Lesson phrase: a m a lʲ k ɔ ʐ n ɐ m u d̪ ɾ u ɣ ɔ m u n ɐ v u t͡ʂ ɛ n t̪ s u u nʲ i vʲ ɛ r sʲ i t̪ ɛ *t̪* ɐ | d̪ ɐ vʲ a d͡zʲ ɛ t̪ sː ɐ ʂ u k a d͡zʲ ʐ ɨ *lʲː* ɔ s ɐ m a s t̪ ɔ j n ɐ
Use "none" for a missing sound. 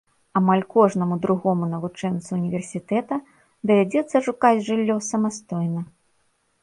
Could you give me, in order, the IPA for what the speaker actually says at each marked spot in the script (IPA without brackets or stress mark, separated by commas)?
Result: t̪, lʲː